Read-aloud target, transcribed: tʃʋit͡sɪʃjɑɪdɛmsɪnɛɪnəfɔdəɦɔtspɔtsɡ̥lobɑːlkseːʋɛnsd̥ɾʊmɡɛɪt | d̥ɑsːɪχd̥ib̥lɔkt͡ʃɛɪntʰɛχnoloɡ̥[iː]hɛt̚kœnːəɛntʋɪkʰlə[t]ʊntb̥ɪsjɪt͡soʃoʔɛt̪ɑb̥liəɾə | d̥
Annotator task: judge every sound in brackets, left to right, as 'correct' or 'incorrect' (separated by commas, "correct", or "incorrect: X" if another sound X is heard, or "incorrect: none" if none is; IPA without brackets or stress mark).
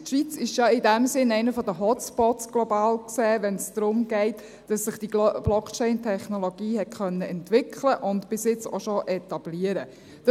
correct, incorrect: ʔ